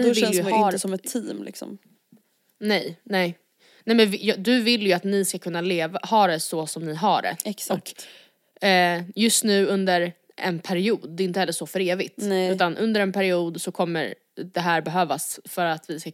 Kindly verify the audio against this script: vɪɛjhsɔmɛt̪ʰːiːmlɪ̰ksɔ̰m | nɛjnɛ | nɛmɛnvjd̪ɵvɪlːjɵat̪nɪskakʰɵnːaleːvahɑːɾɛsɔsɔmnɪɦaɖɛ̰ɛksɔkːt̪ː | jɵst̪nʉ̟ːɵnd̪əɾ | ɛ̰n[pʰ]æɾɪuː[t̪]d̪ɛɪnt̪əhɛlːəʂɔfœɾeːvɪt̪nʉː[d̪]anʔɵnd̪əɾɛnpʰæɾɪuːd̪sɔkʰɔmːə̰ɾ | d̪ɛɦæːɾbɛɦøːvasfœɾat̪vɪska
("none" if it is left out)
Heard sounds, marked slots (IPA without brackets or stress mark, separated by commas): pʰ, d̪, t̪